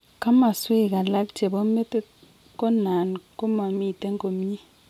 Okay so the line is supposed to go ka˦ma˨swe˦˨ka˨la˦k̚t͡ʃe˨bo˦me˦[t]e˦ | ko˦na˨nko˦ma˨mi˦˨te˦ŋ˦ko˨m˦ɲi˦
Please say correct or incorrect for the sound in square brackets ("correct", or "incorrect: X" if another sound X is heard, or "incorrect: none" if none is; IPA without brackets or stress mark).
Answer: correct